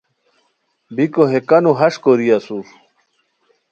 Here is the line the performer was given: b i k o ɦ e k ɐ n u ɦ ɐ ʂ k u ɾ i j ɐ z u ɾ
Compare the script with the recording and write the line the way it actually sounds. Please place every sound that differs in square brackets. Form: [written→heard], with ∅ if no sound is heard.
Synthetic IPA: b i k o ɦ e k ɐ n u ɦ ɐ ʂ k [u→o] ɾ i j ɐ [z→s] u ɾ